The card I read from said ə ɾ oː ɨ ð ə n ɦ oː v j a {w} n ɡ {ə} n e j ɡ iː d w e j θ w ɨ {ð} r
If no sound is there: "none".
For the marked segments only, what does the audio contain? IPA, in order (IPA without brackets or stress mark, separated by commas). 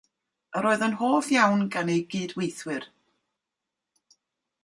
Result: w, a, none